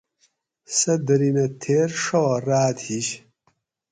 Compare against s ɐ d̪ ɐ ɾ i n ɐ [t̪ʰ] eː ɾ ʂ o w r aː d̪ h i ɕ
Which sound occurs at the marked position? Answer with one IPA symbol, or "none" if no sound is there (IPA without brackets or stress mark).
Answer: t̪ʰ